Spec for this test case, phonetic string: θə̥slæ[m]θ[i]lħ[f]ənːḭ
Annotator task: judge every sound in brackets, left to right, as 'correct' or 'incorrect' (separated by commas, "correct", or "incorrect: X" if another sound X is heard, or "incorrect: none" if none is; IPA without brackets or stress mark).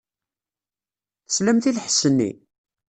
correct, correct, incorrect: s